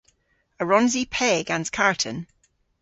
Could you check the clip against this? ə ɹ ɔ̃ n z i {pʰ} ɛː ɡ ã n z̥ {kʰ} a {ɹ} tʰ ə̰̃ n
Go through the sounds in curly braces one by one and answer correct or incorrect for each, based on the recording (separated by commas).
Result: correct, correct, correct